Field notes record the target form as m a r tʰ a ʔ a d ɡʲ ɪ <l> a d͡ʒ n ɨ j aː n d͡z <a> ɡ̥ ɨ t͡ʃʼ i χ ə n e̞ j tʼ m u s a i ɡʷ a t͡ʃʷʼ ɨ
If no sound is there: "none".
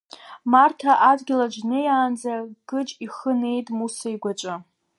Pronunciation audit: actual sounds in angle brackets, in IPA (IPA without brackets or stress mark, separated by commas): l, a